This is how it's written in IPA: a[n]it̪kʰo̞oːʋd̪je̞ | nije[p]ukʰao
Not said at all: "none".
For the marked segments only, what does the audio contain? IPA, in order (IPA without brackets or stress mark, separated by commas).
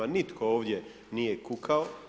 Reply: n, k